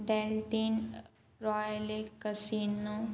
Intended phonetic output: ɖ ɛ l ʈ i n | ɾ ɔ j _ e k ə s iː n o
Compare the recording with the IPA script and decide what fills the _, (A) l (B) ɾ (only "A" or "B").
A